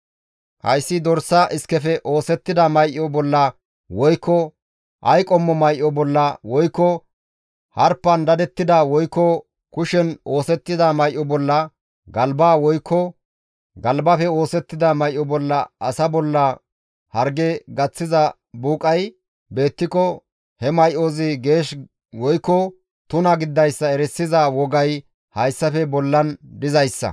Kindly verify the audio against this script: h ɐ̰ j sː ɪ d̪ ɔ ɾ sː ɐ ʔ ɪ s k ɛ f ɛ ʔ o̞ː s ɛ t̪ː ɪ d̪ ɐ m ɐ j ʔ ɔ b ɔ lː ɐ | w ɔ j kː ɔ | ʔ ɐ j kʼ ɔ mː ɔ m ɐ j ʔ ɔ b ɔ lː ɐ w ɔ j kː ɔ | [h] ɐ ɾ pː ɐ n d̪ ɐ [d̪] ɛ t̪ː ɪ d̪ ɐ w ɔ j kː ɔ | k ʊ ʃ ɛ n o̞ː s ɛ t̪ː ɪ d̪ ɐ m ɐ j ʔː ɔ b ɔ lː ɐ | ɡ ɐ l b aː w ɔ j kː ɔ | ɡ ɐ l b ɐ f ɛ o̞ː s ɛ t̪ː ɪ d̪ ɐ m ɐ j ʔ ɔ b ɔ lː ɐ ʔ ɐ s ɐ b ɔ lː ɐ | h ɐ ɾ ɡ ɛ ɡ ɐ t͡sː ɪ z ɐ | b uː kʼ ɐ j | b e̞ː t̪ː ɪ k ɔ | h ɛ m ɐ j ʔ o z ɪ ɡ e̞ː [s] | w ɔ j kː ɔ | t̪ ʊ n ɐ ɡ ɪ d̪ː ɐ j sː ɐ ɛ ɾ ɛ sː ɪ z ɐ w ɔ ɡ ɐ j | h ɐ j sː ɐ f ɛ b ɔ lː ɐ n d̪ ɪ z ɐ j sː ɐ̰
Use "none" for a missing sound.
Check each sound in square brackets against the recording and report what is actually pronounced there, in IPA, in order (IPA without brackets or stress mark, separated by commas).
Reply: h, d̪, ʃ